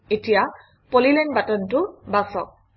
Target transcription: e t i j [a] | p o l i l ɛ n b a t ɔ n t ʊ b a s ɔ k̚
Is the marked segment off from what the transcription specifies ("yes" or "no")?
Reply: no